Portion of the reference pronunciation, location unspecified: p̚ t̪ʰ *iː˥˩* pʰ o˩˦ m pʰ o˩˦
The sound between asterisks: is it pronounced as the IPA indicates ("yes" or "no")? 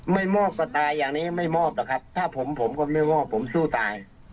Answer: no